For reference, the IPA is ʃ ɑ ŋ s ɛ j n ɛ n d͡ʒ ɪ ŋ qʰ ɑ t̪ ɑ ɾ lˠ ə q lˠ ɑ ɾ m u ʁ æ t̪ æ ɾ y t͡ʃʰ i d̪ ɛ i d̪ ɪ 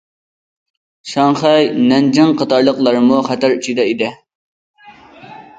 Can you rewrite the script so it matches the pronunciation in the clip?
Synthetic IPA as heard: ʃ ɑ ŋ χ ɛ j n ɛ n d͡ʒ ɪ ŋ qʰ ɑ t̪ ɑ ɾ lˠ ə q lˠ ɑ ɾ m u χ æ t̪ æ ɾ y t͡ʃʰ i d̪ ɛ i d̪ ɪ